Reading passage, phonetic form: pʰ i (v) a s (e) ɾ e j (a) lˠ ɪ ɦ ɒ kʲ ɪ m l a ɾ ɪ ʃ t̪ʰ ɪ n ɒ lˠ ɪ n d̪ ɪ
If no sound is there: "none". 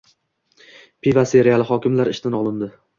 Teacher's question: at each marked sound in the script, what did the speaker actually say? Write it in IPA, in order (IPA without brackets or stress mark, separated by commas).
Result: v, e, a